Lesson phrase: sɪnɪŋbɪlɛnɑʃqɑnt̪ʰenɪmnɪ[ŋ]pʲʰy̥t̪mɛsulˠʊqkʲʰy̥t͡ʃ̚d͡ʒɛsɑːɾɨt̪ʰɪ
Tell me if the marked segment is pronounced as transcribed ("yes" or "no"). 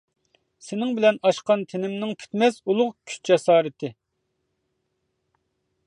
yes